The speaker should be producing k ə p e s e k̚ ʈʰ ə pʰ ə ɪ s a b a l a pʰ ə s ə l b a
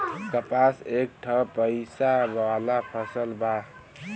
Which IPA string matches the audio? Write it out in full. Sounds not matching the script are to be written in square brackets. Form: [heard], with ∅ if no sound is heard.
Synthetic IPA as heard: k ə p [a] s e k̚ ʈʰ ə [p] ə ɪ s a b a l a pʰ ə s ə l b a

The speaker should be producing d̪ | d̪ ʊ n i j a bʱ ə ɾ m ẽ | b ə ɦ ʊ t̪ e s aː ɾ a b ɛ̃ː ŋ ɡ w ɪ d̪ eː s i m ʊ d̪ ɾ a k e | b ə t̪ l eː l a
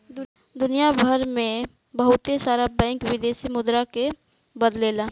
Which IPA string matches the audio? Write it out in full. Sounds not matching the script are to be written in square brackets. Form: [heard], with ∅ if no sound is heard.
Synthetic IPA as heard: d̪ | d̪ ʊ n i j a bʱ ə ɾ m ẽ | b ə ɦ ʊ t̪ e s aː ɾ a b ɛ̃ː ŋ [k] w ɪ d̪ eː s i m ʊ d̪ ɾ a k e | b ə [d̪] l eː l a

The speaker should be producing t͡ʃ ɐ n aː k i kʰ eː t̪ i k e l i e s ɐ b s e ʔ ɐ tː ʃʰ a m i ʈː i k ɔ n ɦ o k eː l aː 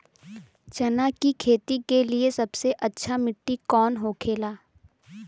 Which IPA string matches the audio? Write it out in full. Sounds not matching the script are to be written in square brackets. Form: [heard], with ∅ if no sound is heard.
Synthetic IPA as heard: t͡ʃ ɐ n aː k i kʰ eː t̪ i k e l i e s ɐ b s e ʔ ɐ tː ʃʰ a m [ɪ] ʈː i k [ɔː] n ɦ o [kʰ] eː l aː

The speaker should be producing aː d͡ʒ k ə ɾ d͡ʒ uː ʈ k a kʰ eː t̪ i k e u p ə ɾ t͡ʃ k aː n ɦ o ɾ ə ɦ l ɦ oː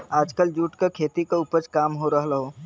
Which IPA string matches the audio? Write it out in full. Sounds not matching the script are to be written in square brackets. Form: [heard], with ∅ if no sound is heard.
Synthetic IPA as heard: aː d͡ʒ k ə [l] d͡ʒ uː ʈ k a kʰ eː t̪ i k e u p ə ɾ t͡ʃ k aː [m] ɦ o ɾ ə ɦ l ɦ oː

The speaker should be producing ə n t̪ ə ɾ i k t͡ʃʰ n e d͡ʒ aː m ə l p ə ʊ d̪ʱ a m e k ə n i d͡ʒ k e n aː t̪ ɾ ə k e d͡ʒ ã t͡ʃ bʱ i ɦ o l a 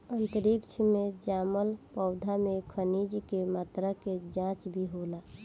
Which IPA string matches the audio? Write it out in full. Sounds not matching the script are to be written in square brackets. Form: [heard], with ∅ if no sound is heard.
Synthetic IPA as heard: ə n t̪ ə ɾ i k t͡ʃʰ [m] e d͡ʒ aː m ə l p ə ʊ d̪ʱ a m e [kʰ] ə n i d͡ʒ k e [m] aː t̪ ɾ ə k e d͡ʒ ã t͡ʃ bʱ i ɦ o l a

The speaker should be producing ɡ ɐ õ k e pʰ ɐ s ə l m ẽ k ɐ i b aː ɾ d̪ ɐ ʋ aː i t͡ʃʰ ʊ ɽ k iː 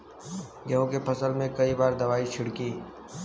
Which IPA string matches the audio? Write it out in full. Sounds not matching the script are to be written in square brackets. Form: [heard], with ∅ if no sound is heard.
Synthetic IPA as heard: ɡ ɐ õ k e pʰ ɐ s ə l m ẽ k ɐ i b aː ɾ d̪ ɐ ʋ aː i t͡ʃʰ ʊ ɽ k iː

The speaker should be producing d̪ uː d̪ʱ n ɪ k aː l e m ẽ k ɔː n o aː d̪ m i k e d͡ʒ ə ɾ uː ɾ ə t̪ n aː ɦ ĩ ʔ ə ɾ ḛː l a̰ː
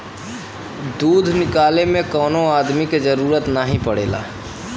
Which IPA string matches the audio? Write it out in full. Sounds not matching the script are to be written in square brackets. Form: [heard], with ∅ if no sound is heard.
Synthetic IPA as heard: d̪ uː d̪ʱ n ɪ k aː l e m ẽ k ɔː n o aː d̪ m i k e d͡ʒ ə ɾ uː ɾ ə t̪ n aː ɦ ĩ [p] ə [ɽ] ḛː l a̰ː

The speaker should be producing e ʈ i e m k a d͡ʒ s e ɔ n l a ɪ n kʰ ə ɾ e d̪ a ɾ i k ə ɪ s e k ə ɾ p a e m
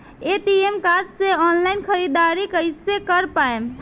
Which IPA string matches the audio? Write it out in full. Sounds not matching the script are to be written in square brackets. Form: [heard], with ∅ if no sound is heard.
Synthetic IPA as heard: e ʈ i e m k a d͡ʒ s e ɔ n l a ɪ n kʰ ə ɾ [i] d̪ a ɾ i k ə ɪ s e k ə ɾ p a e m

